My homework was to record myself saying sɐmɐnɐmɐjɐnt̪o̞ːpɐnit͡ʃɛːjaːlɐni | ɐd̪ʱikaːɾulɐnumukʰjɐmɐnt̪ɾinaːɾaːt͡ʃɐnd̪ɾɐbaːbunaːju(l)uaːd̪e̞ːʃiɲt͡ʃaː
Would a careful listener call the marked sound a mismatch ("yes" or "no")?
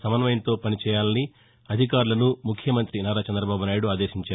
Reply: yes